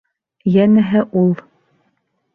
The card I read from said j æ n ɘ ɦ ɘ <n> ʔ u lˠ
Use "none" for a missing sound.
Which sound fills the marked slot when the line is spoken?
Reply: none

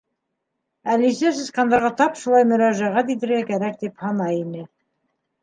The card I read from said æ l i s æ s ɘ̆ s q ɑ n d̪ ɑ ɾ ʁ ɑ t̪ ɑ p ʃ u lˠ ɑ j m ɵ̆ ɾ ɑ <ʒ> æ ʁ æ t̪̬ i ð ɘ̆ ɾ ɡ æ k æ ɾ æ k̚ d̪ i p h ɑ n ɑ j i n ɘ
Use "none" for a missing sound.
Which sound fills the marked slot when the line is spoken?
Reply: ʒ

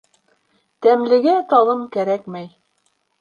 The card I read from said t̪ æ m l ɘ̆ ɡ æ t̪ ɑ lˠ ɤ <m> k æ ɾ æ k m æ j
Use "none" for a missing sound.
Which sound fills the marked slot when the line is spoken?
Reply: m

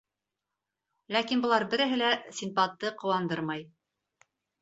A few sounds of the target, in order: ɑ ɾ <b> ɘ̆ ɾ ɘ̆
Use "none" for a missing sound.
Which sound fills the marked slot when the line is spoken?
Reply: b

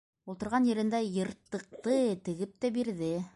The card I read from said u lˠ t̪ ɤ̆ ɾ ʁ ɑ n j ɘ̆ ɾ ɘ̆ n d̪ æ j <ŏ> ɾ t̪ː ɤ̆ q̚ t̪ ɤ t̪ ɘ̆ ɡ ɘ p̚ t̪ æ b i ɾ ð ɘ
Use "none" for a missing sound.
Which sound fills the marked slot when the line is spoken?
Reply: ɤ̆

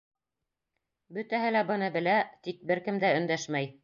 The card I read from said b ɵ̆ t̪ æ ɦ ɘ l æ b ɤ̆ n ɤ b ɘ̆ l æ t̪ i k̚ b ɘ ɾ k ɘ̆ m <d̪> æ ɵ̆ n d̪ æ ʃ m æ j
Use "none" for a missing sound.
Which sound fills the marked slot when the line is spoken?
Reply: d̪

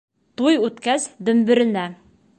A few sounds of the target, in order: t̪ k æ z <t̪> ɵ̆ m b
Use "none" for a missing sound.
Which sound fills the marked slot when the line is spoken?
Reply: d̪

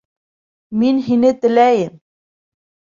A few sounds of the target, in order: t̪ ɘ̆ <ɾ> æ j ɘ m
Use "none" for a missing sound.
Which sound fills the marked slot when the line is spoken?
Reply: l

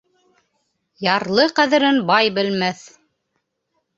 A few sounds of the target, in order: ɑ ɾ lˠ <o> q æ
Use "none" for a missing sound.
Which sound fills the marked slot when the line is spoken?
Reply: ɤ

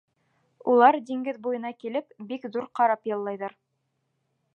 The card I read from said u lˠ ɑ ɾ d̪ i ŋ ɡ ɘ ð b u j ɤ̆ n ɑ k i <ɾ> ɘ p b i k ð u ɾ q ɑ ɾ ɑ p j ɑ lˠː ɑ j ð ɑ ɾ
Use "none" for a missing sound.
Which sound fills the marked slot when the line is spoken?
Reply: l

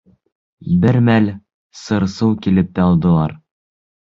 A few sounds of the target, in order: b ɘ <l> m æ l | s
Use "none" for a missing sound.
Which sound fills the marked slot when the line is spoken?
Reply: ɾ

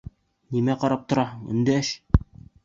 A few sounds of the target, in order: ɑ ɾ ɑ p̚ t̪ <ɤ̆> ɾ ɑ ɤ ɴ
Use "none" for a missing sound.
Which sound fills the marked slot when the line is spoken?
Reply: ŏ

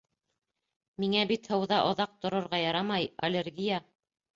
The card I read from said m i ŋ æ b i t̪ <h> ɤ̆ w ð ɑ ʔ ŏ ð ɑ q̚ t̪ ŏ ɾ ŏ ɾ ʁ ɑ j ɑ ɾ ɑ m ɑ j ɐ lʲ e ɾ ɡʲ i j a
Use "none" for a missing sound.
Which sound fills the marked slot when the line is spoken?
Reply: h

